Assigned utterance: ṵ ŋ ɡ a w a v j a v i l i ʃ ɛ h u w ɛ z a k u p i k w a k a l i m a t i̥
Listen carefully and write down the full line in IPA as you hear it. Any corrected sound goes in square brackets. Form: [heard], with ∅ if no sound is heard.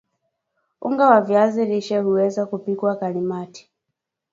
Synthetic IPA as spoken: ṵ ŋ ɡ a w a v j a [z] i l i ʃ ɛ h u w ɛ z a k u p i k w a k a l i m a t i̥